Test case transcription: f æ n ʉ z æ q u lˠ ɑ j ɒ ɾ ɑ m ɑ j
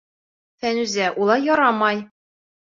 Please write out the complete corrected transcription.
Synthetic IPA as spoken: f æ n ʉ z æ ʔ u lˠ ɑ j ɒ ɾ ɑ m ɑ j